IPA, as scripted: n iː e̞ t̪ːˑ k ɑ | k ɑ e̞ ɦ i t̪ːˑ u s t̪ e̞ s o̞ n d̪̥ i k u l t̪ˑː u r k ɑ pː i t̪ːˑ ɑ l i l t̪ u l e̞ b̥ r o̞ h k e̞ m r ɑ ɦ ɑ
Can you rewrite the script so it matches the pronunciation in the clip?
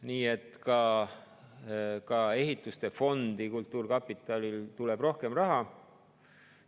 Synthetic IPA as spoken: n iː e̞ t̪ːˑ k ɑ | k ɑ e̞ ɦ i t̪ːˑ u s t̪ e̞ f o̞ n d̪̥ i k u l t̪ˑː uː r k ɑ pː i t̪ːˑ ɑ l i l t̪ u l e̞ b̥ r o̞ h k e̞ m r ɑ ɦ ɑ